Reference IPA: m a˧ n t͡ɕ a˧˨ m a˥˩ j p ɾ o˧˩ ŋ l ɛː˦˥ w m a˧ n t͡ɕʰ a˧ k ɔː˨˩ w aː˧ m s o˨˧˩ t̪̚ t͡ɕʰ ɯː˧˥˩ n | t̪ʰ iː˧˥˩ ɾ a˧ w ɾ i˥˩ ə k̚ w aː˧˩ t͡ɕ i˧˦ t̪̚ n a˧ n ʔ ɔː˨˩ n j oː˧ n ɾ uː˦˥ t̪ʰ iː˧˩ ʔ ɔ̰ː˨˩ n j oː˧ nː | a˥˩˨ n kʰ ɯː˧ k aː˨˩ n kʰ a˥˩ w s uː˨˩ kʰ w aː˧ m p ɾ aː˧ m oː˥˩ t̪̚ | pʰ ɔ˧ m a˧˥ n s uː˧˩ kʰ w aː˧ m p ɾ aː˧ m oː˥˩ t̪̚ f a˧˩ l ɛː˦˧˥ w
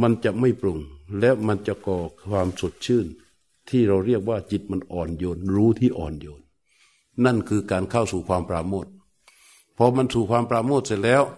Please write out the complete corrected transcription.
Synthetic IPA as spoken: m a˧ n t͡ɕ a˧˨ m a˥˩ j p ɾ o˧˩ ŋ l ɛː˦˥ w m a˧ n t͡ɕ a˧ k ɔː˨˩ w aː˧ m s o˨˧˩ t̪̚ t͡ɕʰ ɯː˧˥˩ n | t̪ʰ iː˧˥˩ ɾ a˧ w ɾ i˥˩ ə k̚ w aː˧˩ t͡ɕ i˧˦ t̪̚ m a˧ n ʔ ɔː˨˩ n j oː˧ n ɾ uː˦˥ t̪ʰ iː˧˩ ʔ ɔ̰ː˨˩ n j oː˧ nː | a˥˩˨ n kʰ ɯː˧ k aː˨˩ n kʰ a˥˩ w s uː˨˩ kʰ w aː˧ m p ɾ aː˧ m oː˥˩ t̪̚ | pʰ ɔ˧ m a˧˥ n s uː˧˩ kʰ w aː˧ m p ɾ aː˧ m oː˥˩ t̪̚ s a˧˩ l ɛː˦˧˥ w